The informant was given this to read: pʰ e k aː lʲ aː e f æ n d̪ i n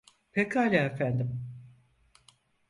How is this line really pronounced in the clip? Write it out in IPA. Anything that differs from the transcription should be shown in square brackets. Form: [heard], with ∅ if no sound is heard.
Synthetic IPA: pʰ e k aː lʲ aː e f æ n d̪ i [m]